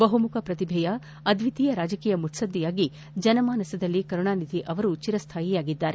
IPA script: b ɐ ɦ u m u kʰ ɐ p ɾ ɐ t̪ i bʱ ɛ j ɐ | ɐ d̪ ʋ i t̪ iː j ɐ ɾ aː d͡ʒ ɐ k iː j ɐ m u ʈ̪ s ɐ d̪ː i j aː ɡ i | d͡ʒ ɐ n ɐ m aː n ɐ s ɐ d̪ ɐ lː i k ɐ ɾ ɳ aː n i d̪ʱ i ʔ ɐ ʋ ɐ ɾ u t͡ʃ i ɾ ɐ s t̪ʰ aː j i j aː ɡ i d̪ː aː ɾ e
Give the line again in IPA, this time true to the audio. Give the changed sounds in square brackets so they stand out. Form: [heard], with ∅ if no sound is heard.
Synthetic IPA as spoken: b ɐ ɦ u m u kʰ ɐ p ɾ ɐ t̪ i bʱ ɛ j ɐ | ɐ d̪ ʋ i t̪ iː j ɐ ɾ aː d͡ʒ ɐ k iː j ɐ m u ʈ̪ s ɐ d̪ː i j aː ɡ i | d͡ʒ ɐ n ɐ m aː n ɐ s ɐ d̪ ɐ lː i k ɐ ɾ ɳ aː n i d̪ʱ i ʔ ɐ ʋ ɐ ɾ u t͡ʃ i ɾ ɐ s t̪ʰ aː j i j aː ɡ i d̪ː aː ɾ e